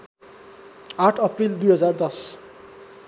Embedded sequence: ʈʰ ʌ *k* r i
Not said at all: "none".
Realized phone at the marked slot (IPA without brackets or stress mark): p